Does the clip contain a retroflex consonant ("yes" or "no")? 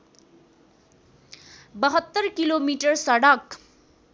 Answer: yes